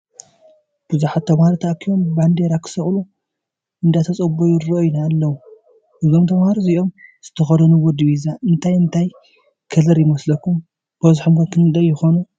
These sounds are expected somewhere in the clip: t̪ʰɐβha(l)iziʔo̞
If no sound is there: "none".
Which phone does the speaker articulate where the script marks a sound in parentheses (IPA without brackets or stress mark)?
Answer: ɾ